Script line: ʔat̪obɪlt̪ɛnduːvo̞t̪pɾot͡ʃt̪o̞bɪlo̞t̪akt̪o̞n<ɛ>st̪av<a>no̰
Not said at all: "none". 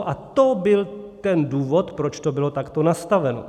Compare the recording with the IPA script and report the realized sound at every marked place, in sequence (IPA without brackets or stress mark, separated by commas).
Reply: a, ɛ